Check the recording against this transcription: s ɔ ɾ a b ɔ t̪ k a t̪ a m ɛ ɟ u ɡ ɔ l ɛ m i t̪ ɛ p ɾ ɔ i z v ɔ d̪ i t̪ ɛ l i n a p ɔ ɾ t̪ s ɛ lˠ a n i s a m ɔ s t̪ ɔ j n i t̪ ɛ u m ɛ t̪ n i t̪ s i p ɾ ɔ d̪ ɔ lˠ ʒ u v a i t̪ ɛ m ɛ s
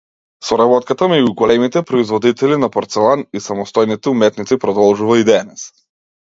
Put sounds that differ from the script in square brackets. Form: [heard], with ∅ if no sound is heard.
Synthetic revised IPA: s ɔ ɾ a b ɔ t̪ k a t̪ a m ɛ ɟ u ɡ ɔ l ɛ m i t̪ ɛ p ɾ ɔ i z v ɔ d̪ i t̪ ɛ l i n a p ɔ ɾ t̪ s ɛ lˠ a n i s a m ɔ s t̪ ɔ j n i t̪ ɛ u m ɛ t̪ n i t̪ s i p ɾ ɔ d̪ ɔ lˠ ʒ u v a i [d̪] ɛ [n] ɛ s